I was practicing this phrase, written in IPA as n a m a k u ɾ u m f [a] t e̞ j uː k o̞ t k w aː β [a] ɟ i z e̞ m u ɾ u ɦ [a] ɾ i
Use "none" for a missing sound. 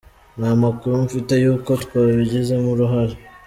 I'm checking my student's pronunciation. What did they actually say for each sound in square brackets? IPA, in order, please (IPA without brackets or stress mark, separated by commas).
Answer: i, i, a